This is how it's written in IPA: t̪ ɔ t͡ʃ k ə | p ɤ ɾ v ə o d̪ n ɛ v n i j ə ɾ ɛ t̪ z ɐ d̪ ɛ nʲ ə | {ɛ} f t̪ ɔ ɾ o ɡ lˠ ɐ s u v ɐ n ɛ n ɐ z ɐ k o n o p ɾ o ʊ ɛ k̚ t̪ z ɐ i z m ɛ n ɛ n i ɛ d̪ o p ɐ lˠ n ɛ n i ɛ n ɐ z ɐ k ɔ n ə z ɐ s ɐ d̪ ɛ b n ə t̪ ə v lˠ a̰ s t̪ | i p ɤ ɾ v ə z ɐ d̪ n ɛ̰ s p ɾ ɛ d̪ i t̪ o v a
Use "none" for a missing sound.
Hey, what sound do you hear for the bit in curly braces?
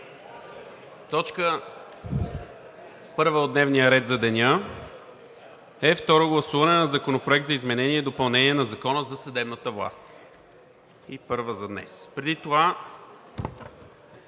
ɛ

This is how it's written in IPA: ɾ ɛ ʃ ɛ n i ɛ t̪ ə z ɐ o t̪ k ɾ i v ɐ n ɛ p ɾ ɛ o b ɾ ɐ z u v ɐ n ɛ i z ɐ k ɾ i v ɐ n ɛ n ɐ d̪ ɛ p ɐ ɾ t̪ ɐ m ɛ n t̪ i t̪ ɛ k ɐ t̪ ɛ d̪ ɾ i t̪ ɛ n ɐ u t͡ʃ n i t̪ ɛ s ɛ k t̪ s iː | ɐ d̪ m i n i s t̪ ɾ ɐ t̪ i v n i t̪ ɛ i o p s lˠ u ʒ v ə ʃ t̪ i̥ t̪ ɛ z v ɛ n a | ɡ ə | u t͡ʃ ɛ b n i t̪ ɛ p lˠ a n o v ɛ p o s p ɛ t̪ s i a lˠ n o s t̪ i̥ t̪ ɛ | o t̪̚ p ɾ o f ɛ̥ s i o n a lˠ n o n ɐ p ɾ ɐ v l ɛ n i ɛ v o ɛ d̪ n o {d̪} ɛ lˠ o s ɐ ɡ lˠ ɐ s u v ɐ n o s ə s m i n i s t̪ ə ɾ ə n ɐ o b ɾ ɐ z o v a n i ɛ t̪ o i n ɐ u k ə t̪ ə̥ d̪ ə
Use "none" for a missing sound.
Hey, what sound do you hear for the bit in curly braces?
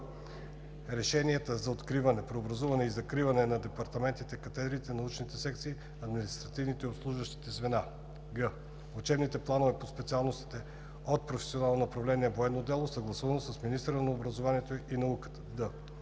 d̪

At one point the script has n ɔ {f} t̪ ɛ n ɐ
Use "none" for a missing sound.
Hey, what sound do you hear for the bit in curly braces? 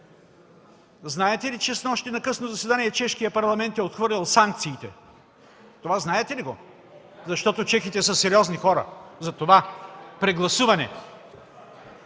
ʃ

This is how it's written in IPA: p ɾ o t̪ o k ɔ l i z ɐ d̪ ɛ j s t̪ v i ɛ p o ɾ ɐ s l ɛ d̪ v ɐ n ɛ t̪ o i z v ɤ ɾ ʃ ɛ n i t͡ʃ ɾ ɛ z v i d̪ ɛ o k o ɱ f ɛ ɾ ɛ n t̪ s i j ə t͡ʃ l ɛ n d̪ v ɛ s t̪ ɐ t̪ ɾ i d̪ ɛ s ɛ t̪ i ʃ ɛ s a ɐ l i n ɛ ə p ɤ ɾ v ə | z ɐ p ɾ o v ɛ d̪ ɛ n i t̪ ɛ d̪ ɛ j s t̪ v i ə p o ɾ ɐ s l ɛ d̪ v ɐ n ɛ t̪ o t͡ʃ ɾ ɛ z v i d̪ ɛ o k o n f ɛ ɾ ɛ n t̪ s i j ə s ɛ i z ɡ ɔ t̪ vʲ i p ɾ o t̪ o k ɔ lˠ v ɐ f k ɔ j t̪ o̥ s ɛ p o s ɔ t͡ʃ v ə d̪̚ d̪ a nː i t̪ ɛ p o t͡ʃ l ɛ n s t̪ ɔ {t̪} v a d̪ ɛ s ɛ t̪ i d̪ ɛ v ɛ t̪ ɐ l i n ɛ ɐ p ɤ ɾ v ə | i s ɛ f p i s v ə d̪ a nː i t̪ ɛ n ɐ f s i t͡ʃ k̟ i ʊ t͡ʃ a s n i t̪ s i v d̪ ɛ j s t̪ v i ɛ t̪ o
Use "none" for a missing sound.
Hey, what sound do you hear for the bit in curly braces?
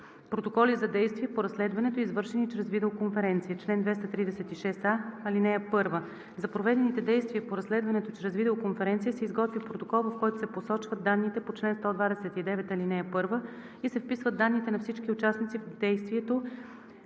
d̪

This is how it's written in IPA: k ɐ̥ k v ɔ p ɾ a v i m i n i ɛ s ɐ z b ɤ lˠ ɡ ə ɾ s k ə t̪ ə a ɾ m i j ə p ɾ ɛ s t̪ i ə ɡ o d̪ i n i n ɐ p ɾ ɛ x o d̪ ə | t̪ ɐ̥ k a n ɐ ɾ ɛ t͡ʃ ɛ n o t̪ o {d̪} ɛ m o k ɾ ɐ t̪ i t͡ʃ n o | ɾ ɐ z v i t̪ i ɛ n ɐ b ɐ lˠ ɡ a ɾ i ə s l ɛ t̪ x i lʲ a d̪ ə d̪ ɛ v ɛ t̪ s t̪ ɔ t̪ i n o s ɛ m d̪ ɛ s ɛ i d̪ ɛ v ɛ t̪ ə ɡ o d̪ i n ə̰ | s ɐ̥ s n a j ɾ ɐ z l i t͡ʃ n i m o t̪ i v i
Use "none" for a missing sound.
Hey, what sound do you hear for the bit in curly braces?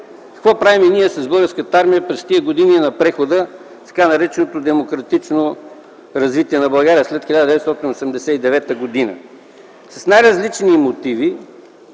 d̪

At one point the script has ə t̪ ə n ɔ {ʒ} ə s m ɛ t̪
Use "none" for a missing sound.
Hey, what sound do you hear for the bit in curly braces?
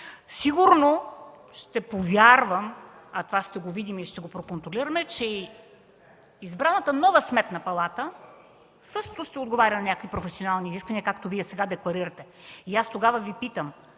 v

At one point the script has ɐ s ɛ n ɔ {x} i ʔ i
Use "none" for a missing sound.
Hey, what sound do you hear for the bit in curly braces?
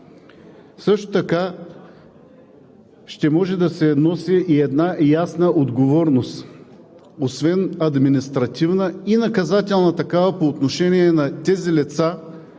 s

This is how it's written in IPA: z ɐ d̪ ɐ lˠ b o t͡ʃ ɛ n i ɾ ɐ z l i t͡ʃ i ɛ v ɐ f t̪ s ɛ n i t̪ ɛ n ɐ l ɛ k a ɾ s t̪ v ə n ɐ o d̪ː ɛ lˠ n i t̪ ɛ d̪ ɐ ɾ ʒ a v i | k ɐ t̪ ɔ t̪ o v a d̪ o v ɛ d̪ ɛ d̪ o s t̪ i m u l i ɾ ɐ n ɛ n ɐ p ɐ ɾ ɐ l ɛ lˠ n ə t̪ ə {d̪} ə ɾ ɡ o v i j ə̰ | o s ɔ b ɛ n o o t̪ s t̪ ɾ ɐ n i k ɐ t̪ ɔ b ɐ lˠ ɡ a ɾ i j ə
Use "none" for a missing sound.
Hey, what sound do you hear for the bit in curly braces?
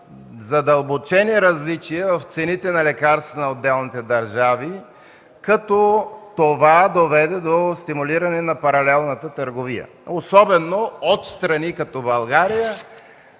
t̪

